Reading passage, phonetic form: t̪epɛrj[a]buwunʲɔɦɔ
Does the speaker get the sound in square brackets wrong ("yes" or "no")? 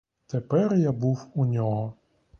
no